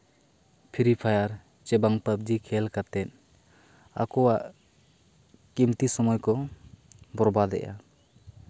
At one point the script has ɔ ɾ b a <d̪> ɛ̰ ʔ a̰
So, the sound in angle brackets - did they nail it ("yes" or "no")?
yes